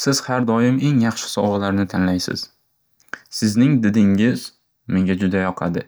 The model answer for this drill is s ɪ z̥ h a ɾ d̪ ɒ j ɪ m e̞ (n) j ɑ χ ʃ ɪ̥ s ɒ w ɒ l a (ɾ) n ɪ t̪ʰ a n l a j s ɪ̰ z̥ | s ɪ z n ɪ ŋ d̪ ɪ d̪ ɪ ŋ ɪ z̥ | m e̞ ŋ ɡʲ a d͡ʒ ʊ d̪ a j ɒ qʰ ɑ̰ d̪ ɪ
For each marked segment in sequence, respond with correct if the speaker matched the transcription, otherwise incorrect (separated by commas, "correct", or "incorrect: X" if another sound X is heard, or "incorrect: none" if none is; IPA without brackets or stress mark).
incorrect: ŋ, correct